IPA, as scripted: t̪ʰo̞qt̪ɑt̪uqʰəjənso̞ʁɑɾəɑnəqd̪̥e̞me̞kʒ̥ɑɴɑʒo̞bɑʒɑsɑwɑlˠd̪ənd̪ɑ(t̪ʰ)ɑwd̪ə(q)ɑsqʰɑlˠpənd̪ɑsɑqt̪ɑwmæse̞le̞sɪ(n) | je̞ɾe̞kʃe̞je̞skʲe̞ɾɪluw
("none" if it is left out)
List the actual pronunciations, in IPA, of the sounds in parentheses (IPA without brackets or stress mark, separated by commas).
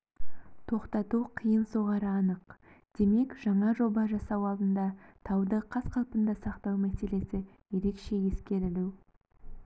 t̪ʰ, qʰ, none